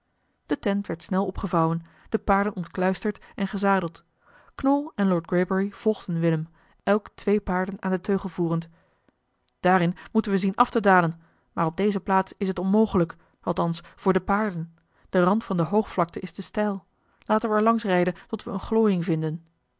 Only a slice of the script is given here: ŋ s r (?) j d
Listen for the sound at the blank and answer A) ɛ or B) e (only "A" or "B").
A